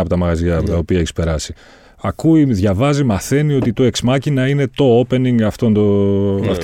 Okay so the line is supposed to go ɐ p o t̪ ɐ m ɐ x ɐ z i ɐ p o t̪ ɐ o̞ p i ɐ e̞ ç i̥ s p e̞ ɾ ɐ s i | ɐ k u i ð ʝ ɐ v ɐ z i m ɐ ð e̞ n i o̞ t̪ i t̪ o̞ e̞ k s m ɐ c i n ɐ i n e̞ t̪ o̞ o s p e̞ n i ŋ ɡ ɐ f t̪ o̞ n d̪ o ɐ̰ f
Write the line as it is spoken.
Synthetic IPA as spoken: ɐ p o t̪ ɐ m ɐ ɣ ɐ z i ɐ p o t̪ ɐ o̞ p i ɐ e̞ ç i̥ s p e̞ ɾ ɐ s i | ɐ k u i ð ʝ ɐ v ɐ z i m ɐ θ e̞ n i o̞ t̪ i t̪ o̞ e̞ k s m ɐ c i n ɐ i n e̞ t̪ o̞ o p e̞ n i ŋ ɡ ɐ f t̪ o̞ n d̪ o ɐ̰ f